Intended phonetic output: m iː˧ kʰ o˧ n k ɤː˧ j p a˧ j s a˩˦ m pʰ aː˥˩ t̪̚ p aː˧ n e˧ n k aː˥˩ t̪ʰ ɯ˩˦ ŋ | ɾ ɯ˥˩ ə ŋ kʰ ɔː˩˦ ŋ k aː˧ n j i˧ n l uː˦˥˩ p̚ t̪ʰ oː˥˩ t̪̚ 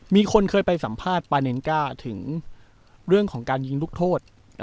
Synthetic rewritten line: m iː˧ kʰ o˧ n kʰ ɤː˧ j p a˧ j s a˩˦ m pʰ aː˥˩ t̪̚ p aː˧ n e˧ n k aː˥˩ t̪ʰ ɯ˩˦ ŋ | ɾ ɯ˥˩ ə ŋ kʰ ɔː˩˦ ŋ k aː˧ n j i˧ ŋ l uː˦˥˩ k̚ t̪ʰ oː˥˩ t̪̚